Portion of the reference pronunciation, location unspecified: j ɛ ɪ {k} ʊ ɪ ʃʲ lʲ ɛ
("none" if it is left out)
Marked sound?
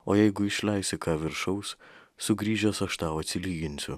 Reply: ɡ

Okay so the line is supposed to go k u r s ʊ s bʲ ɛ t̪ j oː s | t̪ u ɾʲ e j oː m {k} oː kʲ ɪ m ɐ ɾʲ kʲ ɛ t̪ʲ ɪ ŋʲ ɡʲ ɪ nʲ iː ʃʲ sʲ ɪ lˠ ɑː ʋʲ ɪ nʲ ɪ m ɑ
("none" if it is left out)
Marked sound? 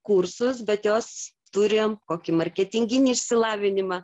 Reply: k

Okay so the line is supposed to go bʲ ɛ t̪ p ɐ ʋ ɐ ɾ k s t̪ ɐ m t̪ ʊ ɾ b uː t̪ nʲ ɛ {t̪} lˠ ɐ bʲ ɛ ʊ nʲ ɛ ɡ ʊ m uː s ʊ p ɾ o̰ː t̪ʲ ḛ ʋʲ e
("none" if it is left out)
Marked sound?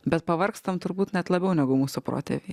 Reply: t̪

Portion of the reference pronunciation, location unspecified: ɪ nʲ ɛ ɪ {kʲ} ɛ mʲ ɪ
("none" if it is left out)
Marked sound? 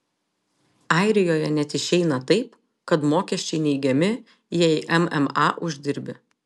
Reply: ɡʲ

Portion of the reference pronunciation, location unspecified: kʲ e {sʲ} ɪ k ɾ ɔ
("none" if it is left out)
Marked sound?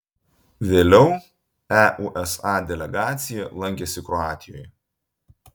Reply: sʲ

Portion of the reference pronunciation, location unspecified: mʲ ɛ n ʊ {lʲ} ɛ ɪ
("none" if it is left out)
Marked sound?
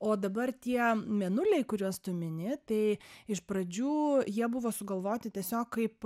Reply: lʲ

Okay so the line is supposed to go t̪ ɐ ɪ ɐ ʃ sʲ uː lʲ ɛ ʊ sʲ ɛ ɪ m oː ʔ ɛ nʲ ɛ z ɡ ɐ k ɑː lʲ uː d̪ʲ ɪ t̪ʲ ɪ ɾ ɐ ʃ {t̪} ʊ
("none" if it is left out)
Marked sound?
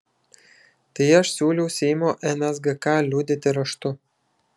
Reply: t̪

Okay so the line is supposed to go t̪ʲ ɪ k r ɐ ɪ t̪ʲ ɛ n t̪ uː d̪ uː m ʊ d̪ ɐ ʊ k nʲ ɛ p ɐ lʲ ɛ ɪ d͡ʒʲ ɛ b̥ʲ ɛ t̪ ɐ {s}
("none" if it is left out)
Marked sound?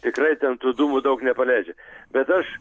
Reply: ʃ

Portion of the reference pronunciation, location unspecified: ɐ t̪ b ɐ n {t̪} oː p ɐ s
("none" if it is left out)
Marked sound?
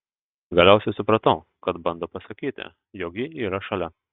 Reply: d̪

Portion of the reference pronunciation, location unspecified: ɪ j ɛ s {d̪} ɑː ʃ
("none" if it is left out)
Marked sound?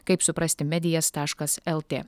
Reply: t̪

